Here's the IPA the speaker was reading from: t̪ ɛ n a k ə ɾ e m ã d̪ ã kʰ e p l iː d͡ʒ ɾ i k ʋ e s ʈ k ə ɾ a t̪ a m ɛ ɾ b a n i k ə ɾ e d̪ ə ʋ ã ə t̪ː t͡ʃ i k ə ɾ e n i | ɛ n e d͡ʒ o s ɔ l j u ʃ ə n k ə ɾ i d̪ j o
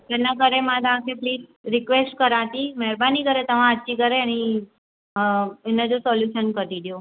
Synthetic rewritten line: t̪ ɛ n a k ə ɾ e m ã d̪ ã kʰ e p l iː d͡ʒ ɾ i k ʋ e s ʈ k ə ɾ a t̪ i m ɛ ɾ b a n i k ə ɾ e t̪ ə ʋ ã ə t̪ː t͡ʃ i k ə ɾ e n i | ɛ n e d͡ʒ o s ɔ l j u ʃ ə n k ə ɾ i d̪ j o